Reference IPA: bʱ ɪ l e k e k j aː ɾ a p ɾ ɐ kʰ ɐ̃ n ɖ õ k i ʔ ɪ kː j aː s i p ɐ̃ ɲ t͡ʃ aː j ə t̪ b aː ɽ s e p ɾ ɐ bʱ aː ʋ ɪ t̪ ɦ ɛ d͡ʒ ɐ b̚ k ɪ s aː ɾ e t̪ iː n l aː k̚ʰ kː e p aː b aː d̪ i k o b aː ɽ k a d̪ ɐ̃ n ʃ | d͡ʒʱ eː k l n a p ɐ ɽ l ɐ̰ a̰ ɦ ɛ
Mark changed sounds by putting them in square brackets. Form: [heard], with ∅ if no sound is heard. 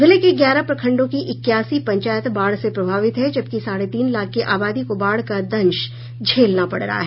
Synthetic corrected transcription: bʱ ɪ l e k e [ɡ] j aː ɾ a p ɾ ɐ kʰ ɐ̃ [ɳ] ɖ õ k i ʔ ɪ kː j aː s i p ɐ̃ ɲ t͡ʃ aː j ə t̪ b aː ɽ s e p ɾ ɐ bʱ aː ʋ ɪ t̪ ɦ ɛ d͡ʒ ɐ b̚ k [i] s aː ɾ e t̪ iː n l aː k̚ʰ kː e [ʔ] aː b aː d̪ i k o b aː ɽ k a d̪ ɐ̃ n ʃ | d͡ʒʱ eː [∅] l n a p ɐ ɽ [ɾ] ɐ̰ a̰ ɦ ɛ